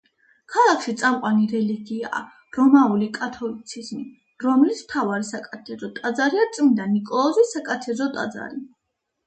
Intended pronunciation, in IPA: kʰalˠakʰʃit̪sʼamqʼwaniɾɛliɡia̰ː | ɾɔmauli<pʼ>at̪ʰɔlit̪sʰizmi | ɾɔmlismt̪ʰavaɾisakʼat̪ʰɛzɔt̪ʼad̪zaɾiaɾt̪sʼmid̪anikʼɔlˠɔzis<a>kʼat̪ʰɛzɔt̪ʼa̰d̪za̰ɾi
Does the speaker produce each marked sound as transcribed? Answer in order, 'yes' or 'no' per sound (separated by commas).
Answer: no, yes